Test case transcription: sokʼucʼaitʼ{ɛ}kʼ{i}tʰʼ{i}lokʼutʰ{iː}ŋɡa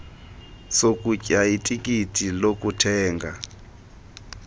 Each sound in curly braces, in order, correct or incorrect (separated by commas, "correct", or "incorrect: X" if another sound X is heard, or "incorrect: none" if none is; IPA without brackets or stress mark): incorrect: i, correct, correct, incorrect: ɛː